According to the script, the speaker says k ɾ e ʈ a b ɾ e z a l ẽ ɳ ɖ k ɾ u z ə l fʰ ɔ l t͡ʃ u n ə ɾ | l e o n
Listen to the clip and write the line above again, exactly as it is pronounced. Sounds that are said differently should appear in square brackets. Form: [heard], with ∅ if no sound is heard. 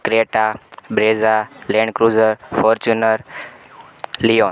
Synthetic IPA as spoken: k ɾ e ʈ a b ɾ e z a l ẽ ɳ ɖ k ɾ u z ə [ɾ] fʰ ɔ [ɾ] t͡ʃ u n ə ɾ | l [i] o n

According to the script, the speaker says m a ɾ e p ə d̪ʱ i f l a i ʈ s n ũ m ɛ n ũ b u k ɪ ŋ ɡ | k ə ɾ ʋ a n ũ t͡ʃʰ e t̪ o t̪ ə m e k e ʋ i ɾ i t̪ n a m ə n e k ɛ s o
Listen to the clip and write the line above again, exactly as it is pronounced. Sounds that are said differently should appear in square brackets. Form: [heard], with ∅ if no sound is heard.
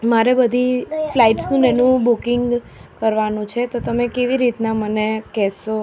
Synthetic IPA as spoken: m a ɾ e [b] ə d̪ʱ i f l a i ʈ s n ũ [n] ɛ n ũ b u k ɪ ŋ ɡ | k ə ɾ ʋ a n ũ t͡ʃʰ e t̪ o t̪ ə m e k e ʋ i ɾ i t̪ n a m ə n e k ɛ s o

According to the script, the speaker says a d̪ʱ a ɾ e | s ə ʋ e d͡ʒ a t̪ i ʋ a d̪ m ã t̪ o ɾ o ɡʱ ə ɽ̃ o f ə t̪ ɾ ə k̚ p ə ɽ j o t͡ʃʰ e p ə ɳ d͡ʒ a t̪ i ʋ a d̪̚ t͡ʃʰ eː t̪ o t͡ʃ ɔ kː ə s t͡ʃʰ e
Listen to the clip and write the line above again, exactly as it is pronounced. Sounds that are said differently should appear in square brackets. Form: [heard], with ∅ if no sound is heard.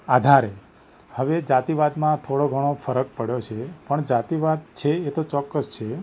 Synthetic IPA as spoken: a d̪ʱ a ɾ e | [h] ə ʋ e d͡ʒ a t̪ i ʋ a d̪ m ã [t̪ʰ] o [ɽ] o ɡʱ ə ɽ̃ o f ə [∅] ɾ ə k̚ p ə ɽ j o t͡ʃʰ e p ə ɳ d͡ʒ a t̪ i ʋ a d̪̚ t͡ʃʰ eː t̪ o t͡ʃ ɔ kː ə s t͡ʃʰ e

